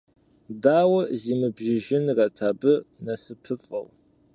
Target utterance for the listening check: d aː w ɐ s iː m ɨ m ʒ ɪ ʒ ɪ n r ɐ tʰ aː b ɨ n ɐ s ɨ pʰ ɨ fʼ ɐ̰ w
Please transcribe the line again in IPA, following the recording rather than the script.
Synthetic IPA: d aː w ɐ z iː m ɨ b ʒ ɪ ʒ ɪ n r ɐ tʰ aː b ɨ n ɐ s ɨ pʰ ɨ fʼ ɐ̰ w